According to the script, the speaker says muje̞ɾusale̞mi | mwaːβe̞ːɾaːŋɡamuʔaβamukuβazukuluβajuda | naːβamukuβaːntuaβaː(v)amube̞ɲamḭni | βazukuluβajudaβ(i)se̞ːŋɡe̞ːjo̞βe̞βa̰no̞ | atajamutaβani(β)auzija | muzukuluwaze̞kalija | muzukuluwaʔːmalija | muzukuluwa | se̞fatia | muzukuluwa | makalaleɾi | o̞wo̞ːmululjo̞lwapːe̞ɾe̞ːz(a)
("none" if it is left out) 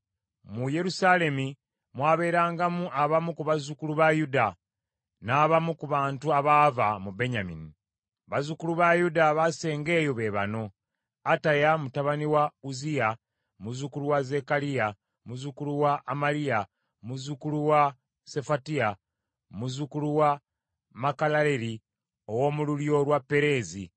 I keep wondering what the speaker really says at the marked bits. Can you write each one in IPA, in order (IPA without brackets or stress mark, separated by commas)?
v, a, w, i